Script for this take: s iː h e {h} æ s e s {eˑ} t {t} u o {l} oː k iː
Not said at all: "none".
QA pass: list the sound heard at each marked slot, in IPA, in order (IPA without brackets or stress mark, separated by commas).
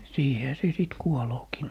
h, iˑ, k, l